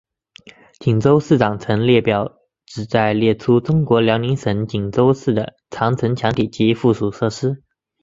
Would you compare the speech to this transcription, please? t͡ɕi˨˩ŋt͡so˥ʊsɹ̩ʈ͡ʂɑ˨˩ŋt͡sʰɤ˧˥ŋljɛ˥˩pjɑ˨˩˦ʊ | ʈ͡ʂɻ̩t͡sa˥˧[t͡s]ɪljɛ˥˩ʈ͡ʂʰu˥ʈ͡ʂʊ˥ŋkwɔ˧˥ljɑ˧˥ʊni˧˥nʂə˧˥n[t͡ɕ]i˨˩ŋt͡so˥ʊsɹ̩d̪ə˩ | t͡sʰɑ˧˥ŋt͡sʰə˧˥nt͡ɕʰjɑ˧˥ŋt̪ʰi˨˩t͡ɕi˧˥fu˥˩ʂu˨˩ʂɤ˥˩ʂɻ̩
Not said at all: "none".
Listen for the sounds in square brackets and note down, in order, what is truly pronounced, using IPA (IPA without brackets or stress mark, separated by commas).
none, t͡ɕ